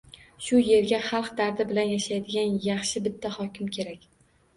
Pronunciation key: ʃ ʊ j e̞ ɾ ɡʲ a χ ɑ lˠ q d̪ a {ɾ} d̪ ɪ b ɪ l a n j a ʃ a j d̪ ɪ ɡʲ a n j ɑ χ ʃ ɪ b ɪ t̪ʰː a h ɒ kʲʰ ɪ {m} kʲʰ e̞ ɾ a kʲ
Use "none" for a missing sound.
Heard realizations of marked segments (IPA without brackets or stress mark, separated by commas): ɾ, m